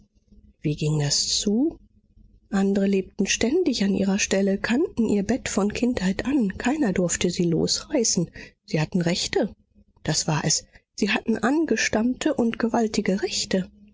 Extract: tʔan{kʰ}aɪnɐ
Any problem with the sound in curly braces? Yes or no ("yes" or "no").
no